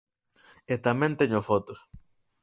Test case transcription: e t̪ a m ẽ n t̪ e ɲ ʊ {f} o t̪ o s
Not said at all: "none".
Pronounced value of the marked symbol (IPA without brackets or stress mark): f